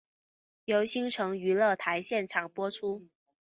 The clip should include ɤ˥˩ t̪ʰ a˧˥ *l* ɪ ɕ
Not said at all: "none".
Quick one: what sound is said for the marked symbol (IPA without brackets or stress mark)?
none